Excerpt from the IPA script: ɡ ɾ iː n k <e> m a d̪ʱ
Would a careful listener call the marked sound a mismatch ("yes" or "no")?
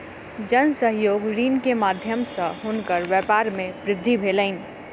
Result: no